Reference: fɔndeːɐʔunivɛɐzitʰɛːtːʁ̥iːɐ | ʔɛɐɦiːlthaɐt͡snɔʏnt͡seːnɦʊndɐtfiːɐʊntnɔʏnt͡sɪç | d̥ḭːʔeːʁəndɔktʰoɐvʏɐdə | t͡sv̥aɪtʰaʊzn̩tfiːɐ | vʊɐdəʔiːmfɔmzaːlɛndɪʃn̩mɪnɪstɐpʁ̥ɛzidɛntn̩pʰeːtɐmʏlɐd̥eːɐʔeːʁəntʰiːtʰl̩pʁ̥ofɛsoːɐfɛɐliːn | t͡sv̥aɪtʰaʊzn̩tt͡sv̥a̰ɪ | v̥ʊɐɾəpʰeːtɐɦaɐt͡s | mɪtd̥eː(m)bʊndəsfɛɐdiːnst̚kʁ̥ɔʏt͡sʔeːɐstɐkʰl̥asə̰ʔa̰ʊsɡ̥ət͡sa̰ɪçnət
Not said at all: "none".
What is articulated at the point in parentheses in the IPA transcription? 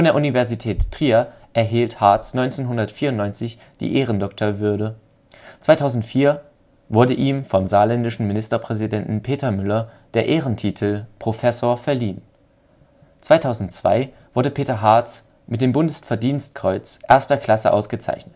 m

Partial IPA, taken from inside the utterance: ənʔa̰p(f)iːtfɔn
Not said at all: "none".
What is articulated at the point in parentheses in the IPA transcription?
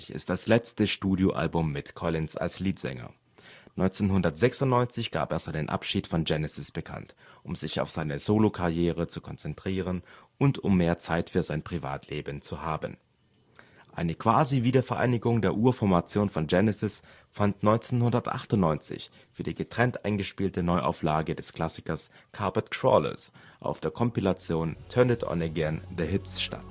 ʃ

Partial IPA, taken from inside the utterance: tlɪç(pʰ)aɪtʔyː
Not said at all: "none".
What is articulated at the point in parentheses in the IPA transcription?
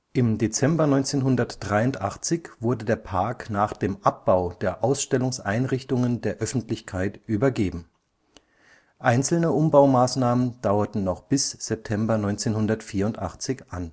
kʰ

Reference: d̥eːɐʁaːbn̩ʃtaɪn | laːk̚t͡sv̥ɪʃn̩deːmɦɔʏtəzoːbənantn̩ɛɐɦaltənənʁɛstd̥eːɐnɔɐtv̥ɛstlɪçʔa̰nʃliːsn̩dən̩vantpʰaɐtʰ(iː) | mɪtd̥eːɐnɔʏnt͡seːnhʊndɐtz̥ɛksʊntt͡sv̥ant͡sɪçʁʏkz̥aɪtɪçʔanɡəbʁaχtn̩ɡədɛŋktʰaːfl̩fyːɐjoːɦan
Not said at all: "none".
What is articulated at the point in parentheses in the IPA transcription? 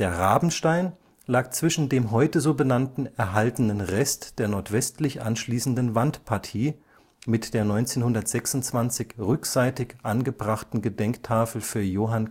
iː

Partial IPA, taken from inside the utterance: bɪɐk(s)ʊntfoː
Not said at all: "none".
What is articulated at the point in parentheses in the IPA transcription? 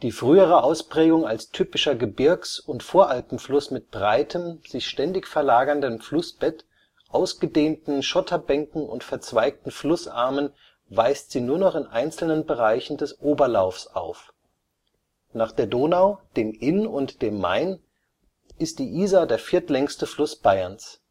s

